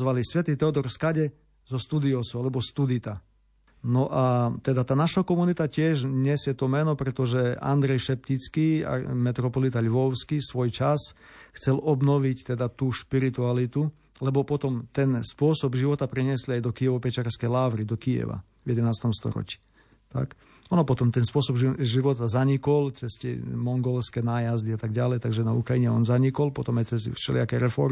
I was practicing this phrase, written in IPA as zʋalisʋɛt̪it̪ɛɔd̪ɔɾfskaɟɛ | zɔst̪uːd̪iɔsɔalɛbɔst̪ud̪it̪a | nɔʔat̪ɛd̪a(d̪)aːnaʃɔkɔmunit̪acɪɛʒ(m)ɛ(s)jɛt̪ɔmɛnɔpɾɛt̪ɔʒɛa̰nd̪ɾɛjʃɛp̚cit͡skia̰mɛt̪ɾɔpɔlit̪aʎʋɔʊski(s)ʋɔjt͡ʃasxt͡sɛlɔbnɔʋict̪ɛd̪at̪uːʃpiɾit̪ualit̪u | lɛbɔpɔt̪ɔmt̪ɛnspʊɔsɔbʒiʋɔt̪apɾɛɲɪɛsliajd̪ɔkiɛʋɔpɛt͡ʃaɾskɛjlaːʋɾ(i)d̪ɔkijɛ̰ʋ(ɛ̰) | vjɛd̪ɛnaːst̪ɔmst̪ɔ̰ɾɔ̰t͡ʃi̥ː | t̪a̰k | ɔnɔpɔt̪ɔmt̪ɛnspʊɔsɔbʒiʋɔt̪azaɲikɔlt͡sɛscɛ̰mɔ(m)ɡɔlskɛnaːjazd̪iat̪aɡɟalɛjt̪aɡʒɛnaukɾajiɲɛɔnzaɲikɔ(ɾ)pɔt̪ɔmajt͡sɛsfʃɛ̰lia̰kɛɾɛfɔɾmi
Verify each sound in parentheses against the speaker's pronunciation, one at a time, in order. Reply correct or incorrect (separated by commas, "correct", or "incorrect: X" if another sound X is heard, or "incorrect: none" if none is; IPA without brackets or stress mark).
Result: incorrect: t̪, incorrect: ɲ, correct, correct, correct, incorrect: a̰, incorrect: ŋ, incorrect: l